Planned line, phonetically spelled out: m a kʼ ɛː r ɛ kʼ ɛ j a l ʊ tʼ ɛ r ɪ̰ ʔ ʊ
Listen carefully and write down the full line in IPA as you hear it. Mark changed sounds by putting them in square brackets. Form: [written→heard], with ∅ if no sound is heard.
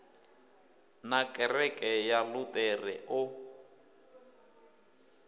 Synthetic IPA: [m→n] a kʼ [ɛː→ɛ] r ɛ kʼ ɛ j a l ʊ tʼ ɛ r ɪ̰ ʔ ʊ